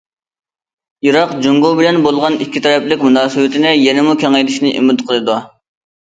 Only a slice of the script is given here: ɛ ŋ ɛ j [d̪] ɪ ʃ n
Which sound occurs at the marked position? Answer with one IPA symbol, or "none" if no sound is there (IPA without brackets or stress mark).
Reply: d̪